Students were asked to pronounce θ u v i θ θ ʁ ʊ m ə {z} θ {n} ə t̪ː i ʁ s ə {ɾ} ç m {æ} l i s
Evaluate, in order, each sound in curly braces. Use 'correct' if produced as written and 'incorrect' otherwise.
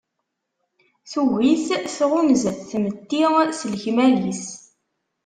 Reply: correct, incorrect, incorrect, correct

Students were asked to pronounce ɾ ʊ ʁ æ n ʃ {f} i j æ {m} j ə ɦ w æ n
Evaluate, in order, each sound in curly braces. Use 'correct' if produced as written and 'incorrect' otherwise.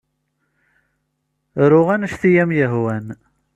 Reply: incorrect, correct

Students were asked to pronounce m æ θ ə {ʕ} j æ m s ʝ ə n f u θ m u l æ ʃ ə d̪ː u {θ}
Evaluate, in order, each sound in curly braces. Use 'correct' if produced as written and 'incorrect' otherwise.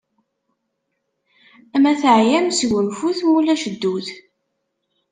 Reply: correct, correct

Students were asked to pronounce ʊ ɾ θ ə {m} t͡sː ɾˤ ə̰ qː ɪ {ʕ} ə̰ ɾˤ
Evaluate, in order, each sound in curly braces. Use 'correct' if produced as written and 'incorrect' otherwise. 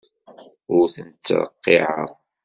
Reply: incorrect, correct

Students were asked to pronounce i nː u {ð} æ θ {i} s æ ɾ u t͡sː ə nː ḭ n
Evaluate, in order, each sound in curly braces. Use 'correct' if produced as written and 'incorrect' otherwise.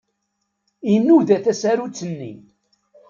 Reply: correct, incorrect

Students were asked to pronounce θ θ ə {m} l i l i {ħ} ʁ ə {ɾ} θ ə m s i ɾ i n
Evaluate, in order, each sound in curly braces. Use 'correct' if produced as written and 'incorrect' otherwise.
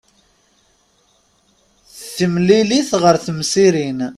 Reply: correct, incorrect, correct

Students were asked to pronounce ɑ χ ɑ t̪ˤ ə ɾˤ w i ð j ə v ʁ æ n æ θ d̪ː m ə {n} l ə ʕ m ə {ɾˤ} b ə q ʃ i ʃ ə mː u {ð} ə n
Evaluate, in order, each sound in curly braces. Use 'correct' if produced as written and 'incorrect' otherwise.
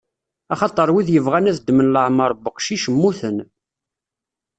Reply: correct, correct, incorrect

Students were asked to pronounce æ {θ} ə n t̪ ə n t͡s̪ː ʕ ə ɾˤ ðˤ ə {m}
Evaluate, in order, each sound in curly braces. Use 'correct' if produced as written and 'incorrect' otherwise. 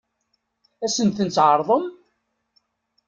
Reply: incorrect, correct

